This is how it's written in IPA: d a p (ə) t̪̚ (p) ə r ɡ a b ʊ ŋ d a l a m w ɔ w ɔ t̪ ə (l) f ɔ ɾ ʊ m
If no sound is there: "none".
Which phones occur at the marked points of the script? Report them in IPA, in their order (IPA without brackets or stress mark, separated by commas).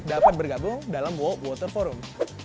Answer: a, b, r